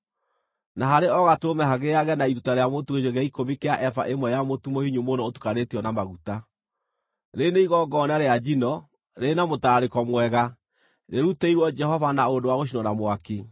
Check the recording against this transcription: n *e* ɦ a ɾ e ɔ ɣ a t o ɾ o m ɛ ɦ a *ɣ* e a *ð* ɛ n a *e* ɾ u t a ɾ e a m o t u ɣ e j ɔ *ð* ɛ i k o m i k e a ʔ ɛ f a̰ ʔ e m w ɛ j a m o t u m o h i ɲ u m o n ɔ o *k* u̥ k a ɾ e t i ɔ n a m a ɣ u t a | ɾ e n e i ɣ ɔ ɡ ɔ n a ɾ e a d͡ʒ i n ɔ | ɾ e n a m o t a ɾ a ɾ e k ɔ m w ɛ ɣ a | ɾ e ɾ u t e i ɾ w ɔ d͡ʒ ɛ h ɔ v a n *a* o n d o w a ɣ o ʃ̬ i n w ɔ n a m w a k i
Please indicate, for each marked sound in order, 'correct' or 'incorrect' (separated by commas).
incorrect, correct, incorrect, incorrect, incorrect, incorrect, correct